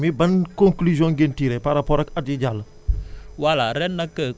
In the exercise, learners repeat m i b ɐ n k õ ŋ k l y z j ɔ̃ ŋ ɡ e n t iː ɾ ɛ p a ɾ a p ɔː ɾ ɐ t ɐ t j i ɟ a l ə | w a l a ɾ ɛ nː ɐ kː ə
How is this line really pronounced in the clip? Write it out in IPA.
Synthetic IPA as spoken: m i b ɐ n k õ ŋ k l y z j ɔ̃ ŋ ɡ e n t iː ɾ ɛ p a ɾ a p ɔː ɾ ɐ k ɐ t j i ɟ a l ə | w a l a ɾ ɛ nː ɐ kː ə